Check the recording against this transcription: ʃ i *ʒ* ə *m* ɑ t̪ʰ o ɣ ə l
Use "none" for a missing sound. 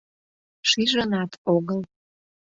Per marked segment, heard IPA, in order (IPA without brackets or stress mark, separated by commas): ʒ, n